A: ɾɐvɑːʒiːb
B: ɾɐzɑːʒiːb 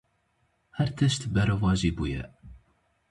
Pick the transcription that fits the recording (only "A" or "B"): A